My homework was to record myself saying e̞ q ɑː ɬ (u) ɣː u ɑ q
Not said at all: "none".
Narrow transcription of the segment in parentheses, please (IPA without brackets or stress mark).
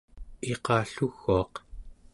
u